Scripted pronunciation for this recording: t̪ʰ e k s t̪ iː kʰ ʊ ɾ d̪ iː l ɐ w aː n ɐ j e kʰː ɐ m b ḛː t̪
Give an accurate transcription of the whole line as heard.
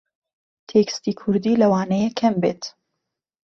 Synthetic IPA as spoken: t̪ʰ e k s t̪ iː kʰ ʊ ɾ d̪ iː l ɐ w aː n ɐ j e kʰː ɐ m b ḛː t̪